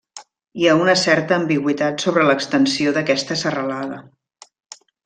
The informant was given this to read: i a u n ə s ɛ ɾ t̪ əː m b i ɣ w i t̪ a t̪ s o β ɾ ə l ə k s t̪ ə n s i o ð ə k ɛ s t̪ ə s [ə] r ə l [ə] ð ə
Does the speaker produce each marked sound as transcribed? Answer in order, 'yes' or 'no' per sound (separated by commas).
yes, no